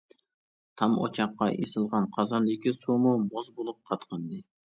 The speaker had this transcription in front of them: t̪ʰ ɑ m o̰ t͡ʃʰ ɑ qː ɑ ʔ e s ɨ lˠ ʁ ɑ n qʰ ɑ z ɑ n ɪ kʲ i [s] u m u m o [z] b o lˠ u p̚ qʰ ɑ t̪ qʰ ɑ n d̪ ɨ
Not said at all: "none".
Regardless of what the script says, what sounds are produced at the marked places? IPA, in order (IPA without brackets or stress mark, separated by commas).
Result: s, z